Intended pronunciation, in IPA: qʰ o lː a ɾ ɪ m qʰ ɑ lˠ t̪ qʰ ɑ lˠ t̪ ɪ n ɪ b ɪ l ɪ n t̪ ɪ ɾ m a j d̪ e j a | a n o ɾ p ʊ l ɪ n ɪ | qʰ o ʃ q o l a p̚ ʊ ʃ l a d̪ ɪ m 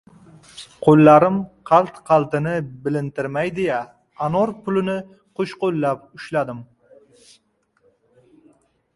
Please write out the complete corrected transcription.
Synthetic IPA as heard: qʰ o lː a ɾ ɪ m qʰ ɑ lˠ t̪ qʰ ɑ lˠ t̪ ɪ n ɪ b ɪ l ɪ n t̪ ɪ ɾ m a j d̪ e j a | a n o ɾ p ʊ l ɪ n ɪ | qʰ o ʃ q o lː a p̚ ʊ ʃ l a d̪ ɪ m